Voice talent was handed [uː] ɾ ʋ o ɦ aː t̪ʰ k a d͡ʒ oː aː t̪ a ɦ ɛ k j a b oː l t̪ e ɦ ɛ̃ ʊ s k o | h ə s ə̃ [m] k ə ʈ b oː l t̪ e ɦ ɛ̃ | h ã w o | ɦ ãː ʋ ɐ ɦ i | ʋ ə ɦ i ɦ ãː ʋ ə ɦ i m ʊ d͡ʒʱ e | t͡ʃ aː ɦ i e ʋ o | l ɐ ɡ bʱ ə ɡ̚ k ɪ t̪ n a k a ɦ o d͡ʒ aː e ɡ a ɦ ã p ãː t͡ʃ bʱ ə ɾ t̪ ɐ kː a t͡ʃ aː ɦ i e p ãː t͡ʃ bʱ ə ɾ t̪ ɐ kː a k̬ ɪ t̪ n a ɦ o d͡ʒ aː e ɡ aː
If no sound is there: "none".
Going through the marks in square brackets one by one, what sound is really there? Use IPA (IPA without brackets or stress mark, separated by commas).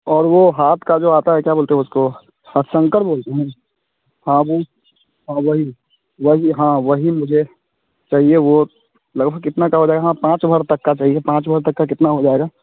ɔː, ŋ